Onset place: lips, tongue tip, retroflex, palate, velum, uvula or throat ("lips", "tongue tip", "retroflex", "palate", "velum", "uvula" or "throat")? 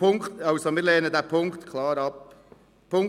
velum